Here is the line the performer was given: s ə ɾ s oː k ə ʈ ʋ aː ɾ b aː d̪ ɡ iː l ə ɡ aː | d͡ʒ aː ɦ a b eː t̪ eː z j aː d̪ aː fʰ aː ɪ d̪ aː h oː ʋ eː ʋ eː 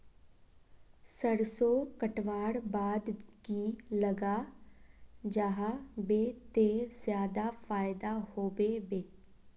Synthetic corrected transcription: s ə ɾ s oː k ə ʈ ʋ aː ɽ b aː d̪ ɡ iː l ə ɡ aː | d͡ʒ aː ɦ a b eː t̪ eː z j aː d̪ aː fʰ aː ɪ d̪ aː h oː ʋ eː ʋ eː